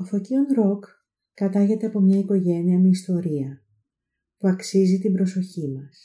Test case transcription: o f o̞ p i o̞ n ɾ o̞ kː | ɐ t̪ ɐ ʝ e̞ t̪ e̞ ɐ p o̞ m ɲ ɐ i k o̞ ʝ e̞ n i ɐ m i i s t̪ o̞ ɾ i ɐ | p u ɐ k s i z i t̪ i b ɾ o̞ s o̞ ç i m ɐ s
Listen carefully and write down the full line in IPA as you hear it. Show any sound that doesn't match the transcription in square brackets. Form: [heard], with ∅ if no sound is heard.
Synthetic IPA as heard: o f o̞ [c] i o̞ n ɾ o̞ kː | ɐ t̪ ɐ ʝ e̞ t̪ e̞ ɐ p o̞ m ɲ ɐ i k o̞ ʝ e̞ n i ɐ m [e] i s t̪ o̞ ɾ i ɐ | p u ɐ k s i z i t̪ i b ɾ o̞ s o̞ ç i m ɐ s